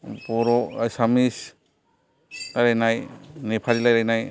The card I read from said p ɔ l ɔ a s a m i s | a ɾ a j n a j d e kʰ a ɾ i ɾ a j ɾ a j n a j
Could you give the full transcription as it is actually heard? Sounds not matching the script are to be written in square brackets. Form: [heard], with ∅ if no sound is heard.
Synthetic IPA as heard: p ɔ [ɾ] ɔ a s a m i s | a ɾ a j n a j [n] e [pʰ] a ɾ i [l] a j ɾ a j n a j